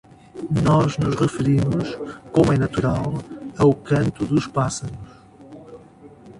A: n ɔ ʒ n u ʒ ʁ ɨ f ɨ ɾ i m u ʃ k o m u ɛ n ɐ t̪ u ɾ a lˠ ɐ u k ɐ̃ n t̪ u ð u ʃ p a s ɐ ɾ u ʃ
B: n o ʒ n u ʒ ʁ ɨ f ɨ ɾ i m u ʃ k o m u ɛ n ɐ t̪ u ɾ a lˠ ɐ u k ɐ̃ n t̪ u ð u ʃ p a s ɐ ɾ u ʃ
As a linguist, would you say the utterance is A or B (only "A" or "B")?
A